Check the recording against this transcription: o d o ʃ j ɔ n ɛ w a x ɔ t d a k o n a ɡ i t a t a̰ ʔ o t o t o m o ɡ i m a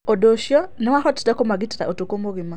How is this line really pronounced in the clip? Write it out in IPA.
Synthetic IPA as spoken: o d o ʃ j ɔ n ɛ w a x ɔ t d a k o m a ɡ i t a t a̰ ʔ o t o k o m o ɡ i m a